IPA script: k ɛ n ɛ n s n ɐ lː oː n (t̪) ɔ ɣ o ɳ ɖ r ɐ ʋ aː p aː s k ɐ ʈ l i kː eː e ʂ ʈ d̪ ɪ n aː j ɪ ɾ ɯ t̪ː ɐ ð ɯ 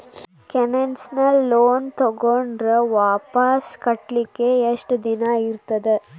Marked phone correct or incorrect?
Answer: correct